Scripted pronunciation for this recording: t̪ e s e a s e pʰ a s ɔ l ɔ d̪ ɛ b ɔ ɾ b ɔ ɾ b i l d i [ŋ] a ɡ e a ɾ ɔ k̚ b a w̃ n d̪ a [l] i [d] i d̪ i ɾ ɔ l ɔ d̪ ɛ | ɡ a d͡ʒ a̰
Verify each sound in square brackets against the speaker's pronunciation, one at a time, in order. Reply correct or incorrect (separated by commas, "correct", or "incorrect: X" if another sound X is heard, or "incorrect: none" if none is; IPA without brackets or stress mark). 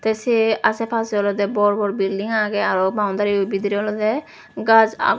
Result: correct, incorrect: ɾ, incorrect: b